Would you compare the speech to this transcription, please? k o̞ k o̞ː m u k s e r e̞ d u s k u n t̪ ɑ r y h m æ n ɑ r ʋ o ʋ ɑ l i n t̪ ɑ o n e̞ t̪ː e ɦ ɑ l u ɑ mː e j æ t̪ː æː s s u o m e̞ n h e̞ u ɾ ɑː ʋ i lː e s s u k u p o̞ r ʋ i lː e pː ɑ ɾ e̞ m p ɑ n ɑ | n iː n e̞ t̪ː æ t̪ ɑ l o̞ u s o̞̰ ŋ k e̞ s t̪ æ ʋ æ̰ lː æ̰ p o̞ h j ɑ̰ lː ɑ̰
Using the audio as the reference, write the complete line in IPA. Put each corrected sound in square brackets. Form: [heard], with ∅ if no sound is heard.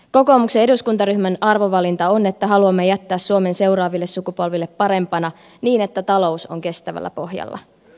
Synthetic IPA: k o̞ k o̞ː m u k s e [∅] e̞ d u s k u n t̪ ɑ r y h m æ n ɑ r ʋ o ʋ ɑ l i n t̪ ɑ o n e̞ t̪ː [æ] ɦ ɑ l u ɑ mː e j æ t̪ː æː s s u o m e̞ n [s] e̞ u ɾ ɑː ʋ i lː e s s u k u p o̞ [l] ʋ i lː e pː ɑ ɾ e̞ m p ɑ n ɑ | n iː n e̞ t̪ː æ t̪ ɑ l o̞ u s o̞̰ ŋ k e̞ s t̪ æ ʋ æ̰ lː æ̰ p o̞ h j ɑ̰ lː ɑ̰